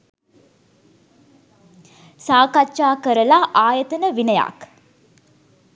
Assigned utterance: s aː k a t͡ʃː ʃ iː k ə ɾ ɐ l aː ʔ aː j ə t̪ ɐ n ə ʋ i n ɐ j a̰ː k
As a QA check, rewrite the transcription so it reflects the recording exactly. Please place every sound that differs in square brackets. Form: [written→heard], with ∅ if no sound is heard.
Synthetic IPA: s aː k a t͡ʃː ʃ [iː→aː] k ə ɾ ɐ l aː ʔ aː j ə t̪ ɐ n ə ʋ i n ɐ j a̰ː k